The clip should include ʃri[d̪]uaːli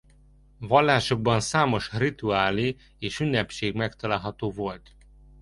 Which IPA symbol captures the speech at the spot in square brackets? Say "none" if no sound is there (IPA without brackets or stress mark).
t̪